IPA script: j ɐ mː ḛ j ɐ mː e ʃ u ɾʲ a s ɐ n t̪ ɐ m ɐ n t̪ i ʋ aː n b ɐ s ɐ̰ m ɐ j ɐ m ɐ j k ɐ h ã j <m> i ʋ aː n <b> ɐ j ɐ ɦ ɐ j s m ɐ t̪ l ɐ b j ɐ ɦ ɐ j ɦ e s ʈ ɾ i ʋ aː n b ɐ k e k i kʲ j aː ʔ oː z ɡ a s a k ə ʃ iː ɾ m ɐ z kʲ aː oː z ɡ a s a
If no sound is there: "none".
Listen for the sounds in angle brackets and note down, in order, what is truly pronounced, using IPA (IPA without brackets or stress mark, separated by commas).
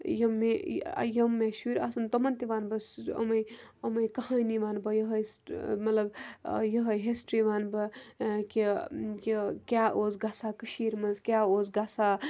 n, b